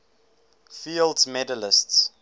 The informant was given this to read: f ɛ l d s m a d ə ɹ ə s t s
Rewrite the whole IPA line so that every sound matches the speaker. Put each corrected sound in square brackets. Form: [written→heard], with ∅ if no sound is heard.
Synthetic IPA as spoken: f [ɛ→i] l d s m [a→ɛ] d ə [ɹ→l] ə s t s